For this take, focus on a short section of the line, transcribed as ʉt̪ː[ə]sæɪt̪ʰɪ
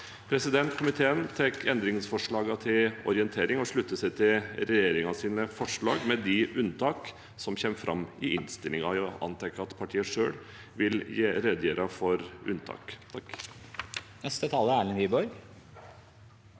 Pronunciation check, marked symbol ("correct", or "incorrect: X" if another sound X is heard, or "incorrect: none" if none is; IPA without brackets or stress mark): correct